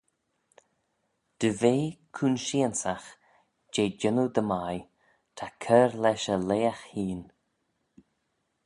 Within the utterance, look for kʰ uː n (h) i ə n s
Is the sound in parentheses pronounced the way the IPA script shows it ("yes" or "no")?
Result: no